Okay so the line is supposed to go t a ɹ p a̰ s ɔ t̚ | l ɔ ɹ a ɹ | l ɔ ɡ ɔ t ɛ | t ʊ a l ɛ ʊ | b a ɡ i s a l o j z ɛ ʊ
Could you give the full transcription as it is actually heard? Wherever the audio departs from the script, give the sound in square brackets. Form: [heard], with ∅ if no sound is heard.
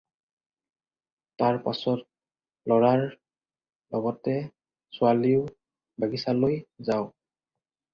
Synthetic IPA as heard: t a ɹ p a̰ s ɔ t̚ | l ɔ ɹ a ɹ | l ɔ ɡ ɔ t ɛ | [s] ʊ a l [i] ʊ | b a ɡ i s a l o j z [a] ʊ